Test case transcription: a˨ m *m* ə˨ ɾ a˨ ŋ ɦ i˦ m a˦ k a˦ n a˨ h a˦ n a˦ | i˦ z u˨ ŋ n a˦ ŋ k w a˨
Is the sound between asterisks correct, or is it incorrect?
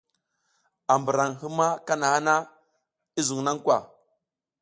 incorrect: b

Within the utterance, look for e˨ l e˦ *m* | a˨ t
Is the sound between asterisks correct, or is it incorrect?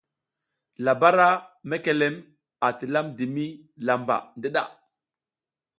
correct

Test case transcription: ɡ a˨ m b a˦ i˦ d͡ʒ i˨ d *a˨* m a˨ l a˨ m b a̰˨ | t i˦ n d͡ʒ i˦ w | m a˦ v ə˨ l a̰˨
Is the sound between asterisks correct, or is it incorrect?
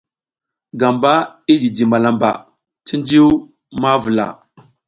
incorrect: i˨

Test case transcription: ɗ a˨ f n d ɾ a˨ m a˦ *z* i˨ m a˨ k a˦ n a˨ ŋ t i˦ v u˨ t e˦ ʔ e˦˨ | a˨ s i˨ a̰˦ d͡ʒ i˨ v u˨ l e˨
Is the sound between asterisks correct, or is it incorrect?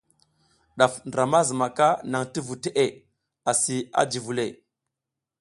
correct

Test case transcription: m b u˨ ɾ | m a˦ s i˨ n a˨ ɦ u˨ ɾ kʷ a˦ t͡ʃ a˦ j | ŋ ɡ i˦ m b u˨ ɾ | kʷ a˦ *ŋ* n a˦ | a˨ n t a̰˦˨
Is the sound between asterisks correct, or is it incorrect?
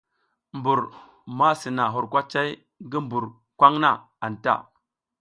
correct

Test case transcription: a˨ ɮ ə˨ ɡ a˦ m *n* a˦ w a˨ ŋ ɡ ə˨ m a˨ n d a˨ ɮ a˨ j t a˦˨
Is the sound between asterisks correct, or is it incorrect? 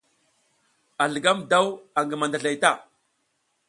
incorrect: d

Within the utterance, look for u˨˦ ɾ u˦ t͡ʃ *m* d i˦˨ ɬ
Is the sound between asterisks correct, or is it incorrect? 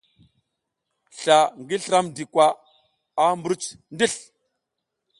incorrect: n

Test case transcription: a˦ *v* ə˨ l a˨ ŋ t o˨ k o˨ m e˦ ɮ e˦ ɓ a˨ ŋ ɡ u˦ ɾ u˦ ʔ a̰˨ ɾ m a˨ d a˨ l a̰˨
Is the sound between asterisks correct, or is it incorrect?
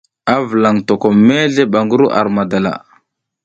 correct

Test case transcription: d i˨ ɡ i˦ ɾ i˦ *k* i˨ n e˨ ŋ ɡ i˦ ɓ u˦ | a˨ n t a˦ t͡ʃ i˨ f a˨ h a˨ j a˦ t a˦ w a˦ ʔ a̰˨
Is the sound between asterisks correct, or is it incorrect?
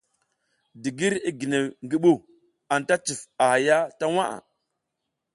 incorrect: ɡ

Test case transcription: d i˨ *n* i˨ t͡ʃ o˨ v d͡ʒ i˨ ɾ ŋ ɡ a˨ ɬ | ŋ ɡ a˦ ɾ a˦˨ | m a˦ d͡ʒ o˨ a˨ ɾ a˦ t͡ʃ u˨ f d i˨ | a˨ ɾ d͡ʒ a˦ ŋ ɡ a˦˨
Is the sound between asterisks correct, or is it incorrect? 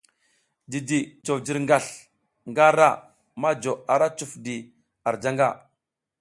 incorrect: d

